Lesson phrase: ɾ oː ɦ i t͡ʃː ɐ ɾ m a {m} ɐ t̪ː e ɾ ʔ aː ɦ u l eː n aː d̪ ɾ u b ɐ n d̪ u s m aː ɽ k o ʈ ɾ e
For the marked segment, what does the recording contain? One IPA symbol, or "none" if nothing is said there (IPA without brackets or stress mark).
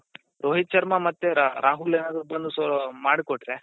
m